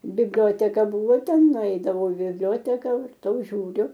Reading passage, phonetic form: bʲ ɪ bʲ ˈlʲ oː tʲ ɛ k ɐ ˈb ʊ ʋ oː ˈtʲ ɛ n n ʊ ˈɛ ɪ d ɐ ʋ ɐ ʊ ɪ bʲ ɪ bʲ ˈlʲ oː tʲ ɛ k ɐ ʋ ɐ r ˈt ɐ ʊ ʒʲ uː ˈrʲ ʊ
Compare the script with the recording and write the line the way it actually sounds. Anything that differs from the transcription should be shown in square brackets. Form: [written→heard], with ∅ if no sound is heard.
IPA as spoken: bʲ ɪ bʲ ˈlʲ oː tʲ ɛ k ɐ ˈb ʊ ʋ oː ˈtʲ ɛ n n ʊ ˈɛ ɪ d ɐ ʋ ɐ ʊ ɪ bʲ ɪ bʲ ˈlʲ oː tʲ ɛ k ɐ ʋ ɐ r ˈt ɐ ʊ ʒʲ uː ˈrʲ ʊ